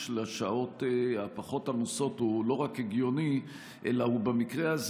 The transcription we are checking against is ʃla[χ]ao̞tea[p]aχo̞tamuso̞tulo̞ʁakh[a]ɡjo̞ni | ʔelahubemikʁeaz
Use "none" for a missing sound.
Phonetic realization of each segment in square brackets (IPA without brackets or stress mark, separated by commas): ʃ, p, e